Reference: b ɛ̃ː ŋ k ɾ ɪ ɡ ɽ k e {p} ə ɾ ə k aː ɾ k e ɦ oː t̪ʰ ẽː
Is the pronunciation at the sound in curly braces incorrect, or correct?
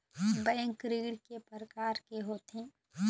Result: correct